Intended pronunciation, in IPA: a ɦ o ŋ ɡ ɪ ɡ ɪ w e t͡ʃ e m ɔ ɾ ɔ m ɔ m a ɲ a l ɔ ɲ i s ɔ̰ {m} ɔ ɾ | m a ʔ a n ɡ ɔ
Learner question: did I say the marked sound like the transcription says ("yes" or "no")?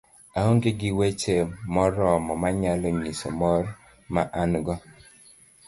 yes